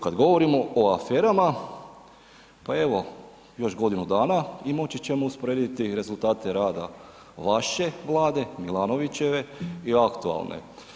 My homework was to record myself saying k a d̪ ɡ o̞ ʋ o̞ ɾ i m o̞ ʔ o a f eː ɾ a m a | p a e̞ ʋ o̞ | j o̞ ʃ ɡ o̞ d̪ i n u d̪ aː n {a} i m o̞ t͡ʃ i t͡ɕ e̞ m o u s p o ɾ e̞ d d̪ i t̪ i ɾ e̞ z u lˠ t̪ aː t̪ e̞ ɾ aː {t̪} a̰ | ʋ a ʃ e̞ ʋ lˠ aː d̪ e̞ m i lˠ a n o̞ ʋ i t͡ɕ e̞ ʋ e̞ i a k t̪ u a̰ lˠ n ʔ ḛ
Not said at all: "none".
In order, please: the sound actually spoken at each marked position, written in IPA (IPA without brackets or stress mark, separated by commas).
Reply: a, d̪